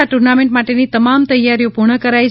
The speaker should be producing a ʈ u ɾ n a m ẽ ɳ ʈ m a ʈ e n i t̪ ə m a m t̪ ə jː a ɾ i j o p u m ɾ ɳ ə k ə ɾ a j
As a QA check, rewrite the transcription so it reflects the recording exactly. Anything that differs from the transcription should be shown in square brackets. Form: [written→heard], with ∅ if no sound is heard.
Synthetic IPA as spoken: a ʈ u ɾ n a m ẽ ɳ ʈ m a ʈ e n i t̪ ə m a m t̪ ə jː a ɾ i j o p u [m→∅] ɾ ɳ ə k ə ɾ a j